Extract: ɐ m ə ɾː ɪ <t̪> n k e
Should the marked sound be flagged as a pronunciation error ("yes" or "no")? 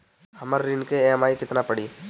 yes